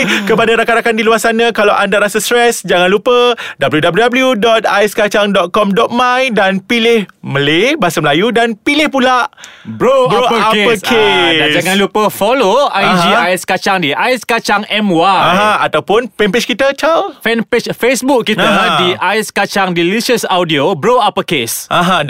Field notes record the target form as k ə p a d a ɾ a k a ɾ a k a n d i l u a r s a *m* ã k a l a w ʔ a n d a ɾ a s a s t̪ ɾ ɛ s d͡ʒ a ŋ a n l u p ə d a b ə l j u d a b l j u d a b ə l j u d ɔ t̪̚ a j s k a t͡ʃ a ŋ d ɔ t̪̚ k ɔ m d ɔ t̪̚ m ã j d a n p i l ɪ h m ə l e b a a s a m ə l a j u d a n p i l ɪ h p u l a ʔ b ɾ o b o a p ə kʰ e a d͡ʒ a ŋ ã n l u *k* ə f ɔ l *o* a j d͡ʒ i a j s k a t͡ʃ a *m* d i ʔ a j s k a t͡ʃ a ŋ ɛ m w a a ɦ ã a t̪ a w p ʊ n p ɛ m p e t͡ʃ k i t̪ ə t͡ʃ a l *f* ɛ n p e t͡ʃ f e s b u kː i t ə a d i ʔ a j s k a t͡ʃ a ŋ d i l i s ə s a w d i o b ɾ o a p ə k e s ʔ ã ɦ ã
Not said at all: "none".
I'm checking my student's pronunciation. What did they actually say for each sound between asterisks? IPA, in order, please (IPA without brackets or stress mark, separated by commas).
n, p, o, ŋ, f